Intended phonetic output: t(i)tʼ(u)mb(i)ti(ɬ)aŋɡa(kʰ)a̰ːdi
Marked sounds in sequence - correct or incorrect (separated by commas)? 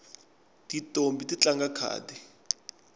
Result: correct, incorrect, correct, incorrect, correct